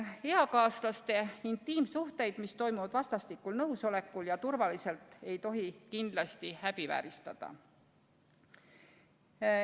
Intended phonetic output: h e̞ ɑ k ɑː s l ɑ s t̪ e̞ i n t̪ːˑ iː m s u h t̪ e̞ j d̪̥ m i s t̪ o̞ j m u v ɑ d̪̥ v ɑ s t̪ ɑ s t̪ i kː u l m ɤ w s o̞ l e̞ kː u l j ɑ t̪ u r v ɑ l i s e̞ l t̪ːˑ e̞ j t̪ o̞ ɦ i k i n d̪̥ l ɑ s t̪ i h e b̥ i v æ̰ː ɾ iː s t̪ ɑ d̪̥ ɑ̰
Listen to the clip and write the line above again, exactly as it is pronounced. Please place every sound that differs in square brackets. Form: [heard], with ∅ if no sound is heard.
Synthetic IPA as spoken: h e̞ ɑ k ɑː s l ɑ s t̪ e̞ i n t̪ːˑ iː m s u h t̪ e̞ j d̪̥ m i s t̪ o̞ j m u v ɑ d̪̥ v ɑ s t̪ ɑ s t̪ i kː u l [n] ɤ w s o̞ l e̞ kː u l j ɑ t̪ u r v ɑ l i s e̞ l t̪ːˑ e̞ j t̪ o̞ ɦ i k i n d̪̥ l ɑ s t̪ i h [æ] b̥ i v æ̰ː ɾ [i] s t̪ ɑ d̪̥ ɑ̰